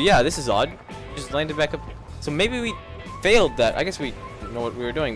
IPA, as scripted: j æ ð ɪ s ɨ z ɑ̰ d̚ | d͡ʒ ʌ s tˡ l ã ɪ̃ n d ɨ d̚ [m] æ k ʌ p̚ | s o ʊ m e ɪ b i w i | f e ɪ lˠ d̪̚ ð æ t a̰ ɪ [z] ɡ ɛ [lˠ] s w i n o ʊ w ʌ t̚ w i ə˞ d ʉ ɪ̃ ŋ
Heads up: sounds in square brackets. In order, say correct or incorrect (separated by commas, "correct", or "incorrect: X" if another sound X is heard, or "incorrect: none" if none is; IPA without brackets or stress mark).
incorrect: b, incorrect: none, incorrect: none